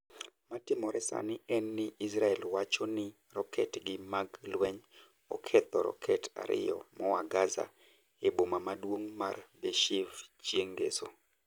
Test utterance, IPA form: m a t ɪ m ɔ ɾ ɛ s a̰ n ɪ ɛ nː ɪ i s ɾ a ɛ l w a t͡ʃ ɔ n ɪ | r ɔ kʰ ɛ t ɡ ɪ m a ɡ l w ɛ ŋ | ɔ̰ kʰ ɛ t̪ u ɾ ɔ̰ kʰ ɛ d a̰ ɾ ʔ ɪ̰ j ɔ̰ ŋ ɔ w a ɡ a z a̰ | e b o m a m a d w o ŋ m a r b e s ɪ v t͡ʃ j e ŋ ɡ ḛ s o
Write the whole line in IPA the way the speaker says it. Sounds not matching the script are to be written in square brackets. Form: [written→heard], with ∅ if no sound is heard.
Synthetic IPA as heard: m a t ɪ m ɔ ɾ ɛ s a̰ n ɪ ɛ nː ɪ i s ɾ a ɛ l w a t͡ʃ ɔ n ɪ | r ɔ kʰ ɛ t ɡ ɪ m a ɡ l w ɛ [ŋ→ɲ] | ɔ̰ kʰ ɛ t̪ [u→ɔ] ɾ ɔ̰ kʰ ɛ [d→t] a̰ ɾ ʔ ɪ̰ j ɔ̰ [ŋ→m] ɔ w a ɡ a z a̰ | e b o m a m a d w o ŋ m a r b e [s→ʃ] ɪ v t͡ʃ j e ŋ ɡ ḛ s o